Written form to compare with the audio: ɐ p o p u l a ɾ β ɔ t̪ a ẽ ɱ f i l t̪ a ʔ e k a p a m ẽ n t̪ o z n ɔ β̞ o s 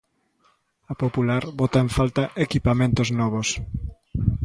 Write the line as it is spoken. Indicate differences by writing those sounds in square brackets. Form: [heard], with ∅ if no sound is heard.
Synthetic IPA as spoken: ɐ p o p u l a ɾ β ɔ t̪ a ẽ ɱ f [a] l t̪ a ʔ e k [i] p a m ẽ n t̪ o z n ɔ β̞ o s